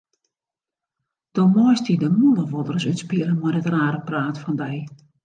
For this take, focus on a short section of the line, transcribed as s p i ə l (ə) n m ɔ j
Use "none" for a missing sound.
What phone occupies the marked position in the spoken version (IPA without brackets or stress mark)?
ə